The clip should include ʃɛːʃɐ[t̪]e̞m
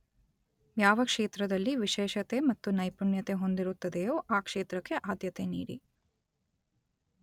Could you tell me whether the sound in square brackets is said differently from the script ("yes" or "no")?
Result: no